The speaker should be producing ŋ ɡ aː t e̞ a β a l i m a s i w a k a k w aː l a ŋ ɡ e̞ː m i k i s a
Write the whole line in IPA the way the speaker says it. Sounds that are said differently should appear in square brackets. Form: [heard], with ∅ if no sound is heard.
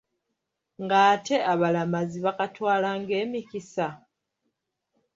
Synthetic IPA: ŋ ɡ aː t e̞ a β a l [a] m a [z] i [β] a k a [t] w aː l a ŋ ɡ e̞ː m i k i s a